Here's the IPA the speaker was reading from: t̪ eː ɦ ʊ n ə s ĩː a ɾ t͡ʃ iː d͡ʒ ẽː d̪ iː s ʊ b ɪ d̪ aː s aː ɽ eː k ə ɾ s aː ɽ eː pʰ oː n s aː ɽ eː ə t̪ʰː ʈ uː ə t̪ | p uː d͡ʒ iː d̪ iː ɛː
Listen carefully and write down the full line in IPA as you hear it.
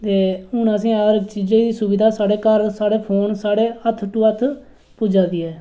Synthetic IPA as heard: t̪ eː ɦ ʊ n ə s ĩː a ɾ t͡ʃ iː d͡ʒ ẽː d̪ iː s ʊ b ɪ d̪ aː s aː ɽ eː k ə ɾ s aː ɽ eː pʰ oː n s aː ɽ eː ə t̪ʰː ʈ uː ə t̪ʰ | p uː d͡ʒ aː d̪ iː ɛː